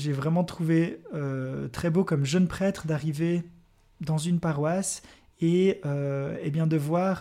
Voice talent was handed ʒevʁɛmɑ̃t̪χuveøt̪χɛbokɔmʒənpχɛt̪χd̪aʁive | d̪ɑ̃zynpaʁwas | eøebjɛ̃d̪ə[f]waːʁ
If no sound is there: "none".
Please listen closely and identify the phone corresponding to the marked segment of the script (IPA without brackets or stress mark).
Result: v